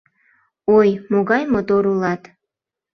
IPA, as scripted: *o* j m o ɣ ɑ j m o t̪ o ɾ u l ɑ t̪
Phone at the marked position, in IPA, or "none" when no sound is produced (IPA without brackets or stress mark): o